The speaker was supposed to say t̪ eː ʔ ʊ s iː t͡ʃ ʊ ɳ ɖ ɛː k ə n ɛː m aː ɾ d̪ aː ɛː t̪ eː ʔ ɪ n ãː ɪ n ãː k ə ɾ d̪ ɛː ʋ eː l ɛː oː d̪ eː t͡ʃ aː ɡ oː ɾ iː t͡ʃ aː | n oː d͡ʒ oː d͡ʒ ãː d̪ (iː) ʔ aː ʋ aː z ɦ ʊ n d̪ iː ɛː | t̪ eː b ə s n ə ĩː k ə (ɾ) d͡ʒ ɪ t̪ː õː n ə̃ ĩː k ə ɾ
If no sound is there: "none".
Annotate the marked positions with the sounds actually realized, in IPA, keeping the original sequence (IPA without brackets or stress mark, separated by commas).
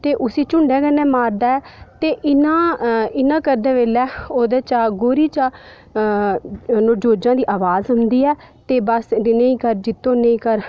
iː, ɾ